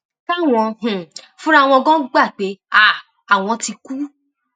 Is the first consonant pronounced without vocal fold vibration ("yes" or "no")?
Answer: yes